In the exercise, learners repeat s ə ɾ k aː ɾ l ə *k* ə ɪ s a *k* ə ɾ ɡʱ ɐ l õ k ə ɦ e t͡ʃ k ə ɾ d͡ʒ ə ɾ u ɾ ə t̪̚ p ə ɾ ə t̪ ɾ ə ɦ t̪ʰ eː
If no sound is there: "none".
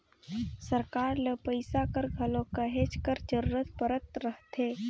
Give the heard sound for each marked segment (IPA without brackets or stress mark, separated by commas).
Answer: p, k